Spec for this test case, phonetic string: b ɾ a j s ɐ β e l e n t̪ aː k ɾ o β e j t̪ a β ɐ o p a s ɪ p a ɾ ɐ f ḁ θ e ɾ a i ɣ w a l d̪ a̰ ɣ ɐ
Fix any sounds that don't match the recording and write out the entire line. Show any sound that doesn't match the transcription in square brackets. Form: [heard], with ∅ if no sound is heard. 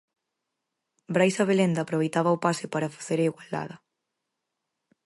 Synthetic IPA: b ɾ a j s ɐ β e l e n [d̪] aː [p] ɾ o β e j t̪ a β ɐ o p a s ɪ p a ɾ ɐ f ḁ θ e ɾ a i ɣ w a l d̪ a̰ [ð] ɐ